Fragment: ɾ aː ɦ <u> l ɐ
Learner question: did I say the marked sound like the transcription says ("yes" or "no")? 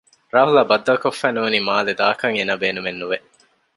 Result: yes